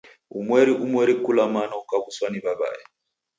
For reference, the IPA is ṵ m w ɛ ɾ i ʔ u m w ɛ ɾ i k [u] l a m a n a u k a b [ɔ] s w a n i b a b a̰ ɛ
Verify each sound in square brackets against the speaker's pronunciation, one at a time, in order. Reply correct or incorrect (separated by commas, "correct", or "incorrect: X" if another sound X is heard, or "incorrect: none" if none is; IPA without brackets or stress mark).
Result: correct, incorrect: u